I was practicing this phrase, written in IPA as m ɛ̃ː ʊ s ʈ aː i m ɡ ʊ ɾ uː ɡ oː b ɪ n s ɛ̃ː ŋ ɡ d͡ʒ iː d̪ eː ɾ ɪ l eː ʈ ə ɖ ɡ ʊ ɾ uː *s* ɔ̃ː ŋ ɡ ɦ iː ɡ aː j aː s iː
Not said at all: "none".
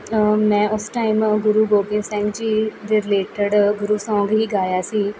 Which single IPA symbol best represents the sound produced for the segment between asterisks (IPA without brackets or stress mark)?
s